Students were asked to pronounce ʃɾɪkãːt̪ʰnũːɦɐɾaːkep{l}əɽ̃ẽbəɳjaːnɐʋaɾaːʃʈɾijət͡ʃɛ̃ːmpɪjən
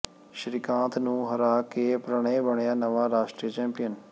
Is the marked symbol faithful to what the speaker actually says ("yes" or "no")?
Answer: no